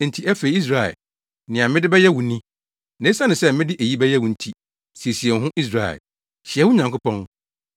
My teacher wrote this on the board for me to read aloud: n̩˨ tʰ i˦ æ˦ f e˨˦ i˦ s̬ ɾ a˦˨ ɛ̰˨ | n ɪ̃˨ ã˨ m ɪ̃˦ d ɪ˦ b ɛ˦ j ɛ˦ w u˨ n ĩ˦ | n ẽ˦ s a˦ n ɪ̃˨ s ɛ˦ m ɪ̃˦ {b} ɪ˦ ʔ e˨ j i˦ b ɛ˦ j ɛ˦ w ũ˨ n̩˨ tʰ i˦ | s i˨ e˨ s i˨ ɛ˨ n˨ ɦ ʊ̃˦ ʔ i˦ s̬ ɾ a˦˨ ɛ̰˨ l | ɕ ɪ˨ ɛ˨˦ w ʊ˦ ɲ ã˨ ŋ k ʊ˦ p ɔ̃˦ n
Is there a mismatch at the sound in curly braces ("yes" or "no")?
yes